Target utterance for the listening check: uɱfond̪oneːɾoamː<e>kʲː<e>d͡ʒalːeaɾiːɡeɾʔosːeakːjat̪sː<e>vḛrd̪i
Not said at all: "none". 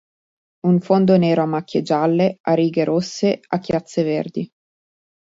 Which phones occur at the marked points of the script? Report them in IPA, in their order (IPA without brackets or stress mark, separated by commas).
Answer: a, e, e